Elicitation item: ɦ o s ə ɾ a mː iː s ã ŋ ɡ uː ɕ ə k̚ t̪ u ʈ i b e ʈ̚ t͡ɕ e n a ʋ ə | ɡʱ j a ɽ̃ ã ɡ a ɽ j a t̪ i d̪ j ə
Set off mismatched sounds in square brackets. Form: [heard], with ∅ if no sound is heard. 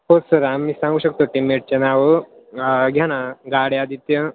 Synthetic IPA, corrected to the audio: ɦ o s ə ɾ a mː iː s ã ŋ ɡ uː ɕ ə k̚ t̪ [o] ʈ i [m] e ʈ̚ t͡ɕ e n a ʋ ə | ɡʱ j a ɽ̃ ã ɡ a ɽ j a [d̪] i [t̪] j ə